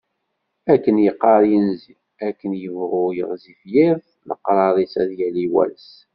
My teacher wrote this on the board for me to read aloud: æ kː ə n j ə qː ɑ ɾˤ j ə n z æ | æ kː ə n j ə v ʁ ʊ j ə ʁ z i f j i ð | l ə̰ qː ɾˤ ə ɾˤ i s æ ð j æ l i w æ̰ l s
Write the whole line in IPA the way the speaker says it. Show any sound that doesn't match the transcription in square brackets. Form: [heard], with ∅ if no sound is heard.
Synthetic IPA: æ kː ə n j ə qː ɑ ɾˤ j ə n z [i] | æ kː ə n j ə v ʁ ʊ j ə ʁ z i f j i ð | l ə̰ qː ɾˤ [ɑ] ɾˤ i s æ ð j æ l i w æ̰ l s